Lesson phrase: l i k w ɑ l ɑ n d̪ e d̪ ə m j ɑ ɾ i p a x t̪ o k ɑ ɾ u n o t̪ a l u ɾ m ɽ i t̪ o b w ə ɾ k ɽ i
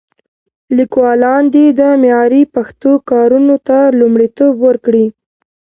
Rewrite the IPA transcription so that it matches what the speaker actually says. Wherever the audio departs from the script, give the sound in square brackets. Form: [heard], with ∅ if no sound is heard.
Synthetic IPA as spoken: l i k w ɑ l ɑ n d̪ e d̪ ə m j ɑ ɾ i p a x t̪ o k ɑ ɾ u n o t̪ a l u [∅] m ɽ i t̪ o b w ə ɾ k ɽ i